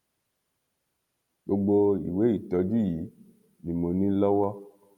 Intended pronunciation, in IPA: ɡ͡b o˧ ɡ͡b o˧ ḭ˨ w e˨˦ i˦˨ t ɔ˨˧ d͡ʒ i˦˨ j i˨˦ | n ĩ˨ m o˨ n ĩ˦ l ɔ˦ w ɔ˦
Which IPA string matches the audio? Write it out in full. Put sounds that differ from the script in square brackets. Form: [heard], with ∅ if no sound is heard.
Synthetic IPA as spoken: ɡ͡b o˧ ɡ͡b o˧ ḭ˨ w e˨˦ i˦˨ t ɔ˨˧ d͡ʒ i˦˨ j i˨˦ | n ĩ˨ m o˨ n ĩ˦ l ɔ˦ w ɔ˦